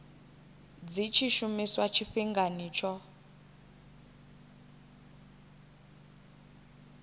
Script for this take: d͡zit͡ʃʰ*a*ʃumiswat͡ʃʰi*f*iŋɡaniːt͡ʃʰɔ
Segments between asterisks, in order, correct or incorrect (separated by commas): incorrect, correct